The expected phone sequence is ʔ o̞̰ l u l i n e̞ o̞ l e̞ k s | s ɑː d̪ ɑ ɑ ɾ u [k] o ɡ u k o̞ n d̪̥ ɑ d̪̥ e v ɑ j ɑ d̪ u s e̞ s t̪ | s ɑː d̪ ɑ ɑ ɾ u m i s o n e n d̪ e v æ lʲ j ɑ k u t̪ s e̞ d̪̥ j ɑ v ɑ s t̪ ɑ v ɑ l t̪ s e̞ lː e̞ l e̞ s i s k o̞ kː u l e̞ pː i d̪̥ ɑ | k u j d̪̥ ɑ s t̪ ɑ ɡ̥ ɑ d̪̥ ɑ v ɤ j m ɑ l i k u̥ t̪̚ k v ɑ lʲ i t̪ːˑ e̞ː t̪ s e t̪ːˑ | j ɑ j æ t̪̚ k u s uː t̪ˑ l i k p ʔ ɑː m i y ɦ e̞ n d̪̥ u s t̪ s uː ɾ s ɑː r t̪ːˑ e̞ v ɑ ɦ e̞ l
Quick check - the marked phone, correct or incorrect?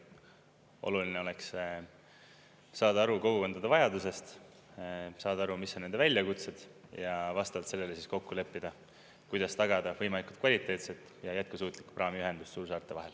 correct